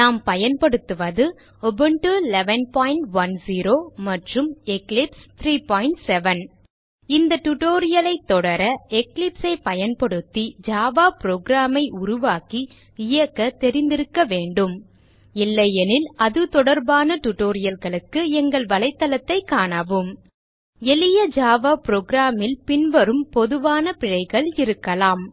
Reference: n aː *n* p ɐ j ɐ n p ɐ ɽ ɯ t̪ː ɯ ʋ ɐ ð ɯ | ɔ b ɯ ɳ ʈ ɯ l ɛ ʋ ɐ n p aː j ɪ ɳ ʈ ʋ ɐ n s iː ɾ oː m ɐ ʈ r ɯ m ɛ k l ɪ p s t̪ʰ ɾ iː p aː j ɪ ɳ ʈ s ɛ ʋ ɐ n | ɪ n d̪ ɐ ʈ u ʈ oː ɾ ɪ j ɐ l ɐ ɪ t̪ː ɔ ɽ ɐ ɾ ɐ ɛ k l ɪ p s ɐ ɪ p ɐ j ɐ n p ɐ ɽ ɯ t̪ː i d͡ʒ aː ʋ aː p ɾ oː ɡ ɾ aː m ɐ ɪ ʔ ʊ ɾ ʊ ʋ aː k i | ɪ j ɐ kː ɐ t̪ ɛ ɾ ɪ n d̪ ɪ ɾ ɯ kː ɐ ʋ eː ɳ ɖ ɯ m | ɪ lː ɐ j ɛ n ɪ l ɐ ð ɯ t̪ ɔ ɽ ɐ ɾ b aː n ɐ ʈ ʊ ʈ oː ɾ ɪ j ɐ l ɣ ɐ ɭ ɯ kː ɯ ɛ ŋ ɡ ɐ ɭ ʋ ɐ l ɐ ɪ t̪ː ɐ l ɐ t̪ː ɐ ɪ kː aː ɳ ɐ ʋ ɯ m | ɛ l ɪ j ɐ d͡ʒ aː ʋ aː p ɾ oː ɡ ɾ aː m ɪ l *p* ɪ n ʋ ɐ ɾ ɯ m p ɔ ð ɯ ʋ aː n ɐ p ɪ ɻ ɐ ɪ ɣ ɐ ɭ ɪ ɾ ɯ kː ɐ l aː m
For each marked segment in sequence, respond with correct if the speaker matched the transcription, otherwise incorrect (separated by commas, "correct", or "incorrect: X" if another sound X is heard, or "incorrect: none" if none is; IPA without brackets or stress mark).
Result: incorrect: m, correct